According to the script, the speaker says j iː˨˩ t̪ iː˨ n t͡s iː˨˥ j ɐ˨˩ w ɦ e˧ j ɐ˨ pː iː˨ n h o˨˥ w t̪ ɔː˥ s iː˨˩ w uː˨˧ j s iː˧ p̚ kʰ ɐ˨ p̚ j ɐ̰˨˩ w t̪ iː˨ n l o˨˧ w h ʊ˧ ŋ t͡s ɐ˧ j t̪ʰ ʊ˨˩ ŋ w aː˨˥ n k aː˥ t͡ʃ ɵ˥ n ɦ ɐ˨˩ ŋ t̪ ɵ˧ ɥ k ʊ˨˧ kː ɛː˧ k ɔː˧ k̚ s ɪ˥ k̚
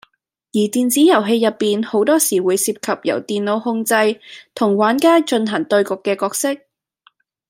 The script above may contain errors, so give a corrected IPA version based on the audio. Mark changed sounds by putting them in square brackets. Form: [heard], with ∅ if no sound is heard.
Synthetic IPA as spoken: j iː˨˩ t̪ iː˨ n t͡s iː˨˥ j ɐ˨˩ w ɦ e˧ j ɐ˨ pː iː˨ n h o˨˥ w t̪ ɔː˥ s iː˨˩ w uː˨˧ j s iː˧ p̚ kʰ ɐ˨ p̚ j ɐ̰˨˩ w t̪ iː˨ n l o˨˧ w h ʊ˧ ŋ t͡s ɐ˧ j t̪ʰ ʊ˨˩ ŋ w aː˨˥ n k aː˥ t͡ʃ [ɵ˧] n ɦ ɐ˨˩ ŋ t̪ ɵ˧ ɥ k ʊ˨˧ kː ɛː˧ k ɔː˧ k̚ s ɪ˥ k̚